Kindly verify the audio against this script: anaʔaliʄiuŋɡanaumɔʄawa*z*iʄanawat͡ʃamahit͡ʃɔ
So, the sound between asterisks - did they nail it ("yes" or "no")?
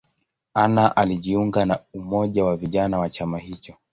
no